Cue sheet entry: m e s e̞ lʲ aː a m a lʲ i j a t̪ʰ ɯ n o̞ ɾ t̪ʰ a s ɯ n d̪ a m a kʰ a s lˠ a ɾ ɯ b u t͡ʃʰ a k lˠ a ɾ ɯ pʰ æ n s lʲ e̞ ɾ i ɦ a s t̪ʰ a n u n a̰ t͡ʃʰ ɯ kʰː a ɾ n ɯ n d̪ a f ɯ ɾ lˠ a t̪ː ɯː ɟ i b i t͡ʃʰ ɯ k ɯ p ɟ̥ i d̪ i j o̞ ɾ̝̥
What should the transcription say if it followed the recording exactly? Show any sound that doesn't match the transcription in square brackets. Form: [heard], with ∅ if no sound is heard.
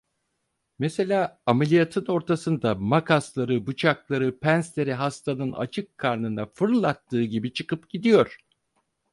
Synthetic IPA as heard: m e s e̞ lʲ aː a m [e] lʲ i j a t̪ʰ ɯ n o̞ ɾ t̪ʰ a s ɯ n d̪ a m a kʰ a s lˠ a ɾ ɯ b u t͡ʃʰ a k lˠ a ɾ ɯ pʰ æ n s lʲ e̞ ɾ i ɦ a s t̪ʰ a n [ɯ] n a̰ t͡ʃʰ ɯ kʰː a ɾ n ɯ n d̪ a f ɯ ɾ lˠ a t̪ː ɯː ɟ i b i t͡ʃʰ ɯ k ɯ p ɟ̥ i d̪ i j o̞ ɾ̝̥